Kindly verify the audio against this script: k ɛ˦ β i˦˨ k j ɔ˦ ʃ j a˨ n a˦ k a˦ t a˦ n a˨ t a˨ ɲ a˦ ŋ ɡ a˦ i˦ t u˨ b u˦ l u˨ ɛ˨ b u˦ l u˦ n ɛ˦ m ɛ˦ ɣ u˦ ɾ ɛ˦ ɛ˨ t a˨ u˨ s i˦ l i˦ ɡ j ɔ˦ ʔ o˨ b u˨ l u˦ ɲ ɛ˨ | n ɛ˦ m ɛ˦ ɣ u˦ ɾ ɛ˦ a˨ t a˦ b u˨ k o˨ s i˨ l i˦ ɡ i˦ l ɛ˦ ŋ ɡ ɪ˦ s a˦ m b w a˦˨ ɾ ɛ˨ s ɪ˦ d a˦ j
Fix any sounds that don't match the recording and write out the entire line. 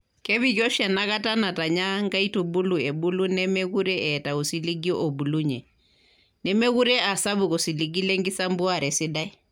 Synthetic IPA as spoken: k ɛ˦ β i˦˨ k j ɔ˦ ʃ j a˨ n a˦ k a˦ t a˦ n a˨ t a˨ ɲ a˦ ŋ ɡ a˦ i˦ t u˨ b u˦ l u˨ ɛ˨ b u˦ l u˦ n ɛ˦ m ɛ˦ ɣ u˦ ɾ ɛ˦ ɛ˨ t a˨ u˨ s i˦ l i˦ ɡ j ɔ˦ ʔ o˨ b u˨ l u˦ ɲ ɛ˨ | n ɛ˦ m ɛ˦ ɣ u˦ ɾ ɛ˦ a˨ s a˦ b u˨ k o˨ s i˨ l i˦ ɡ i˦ l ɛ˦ ŋ ɡ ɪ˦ s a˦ m b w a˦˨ ɾ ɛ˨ s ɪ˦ d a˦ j